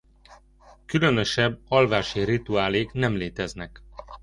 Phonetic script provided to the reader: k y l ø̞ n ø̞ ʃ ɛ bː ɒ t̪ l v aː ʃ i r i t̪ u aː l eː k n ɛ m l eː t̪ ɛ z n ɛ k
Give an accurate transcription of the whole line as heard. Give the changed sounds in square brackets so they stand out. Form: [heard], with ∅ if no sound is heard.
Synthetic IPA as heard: k y l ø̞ n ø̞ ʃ ɛ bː ɒ [∅] l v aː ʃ i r i t̪ u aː l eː k n ɛ m l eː t̪ ɛ z n ɛ k